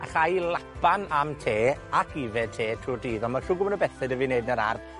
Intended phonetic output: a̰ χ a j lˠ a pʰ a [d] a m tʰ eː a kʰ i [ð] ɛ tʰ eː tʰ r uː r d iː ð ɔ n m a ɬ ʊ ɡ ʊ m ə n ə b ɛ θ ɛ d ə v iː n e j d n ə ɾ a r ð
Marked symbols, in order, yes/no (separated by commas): no, no